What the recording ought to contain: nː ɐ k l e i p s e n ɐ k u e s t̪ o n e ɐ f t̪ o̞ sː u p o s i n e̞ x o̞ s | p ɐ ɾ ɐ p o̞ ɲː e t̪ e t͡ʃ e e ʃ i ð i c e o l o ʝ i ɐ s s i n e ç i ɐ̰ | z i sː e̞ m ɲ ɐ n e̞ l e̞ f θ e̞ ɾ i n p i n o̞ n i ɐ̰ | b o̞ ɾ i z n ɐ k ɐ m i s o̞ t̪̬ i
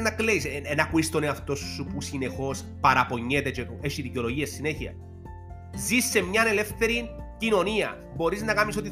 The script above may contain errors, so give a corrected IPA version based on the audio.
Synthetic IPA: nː ɐ k l e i s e n ɐ k u i s t̪ o n e ɐ f t̪ o̞ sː u p u s i n e̞ x o̞ s | p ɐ ɾ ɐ p o̞ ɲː e t̪ e t͡ʃ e e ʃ i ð i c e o l o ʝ i ɐ s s i n e ç i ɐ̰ | z i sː e̞ m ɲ ɐ n e̞ l e̞ f θ e̞ ɾ i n c i n o̞ n i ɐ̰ | b o̞ ɾ i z n ɐ k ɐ m i s o̞ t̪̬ i